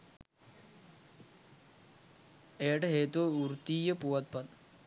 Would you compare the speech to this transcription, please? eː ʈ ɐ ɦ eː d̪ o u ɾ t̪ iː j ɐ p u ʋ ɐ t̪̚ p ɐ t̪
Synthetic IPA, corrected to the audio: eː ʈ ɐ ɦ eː t̪ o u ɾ t̪ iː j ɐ p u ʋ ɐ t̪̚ p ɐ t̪